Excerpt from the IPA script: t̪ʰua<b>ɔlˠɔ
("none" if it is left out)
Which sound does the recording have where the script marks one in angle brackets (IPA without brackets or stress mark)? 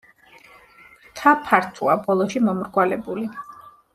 b